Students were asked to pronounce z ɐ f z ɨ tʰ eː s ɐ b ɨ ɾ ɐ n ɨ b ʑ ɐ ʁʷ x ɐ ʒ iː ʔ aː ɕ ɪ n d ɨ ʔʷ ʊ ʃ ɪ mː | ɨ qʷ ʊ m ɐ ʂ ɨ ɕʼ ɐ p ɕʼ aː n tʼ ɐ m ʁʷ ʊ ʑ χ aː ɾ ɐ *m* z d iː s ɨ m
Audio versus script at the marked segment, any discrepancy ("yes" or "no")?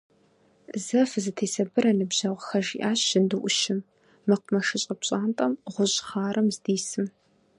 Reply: no